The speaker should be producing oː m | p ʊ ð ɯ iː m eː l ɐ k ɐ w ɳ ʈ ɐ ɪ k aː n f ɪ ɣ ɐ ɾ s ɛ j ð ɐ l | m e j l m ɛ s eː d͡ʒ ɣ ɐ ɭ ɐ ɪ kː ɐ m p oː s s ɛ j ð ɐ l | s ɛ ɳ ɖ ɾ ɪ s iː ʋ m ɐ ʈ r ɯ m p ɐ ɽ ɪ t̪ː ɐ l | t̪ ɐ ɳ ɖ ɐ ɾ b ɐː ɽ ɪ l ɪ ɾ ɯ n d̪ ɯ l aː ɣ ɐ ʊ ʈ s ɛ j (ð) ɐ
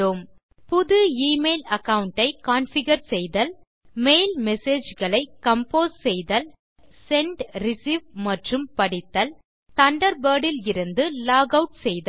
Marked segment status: correct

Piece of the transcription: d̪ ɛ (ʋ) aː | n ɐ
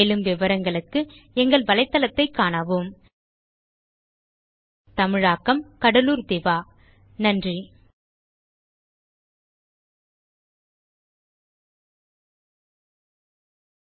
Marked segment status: correct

